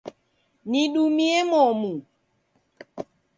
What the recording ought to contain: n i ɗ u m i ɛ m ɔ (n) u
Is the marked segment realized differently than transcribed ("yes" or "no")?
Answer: yes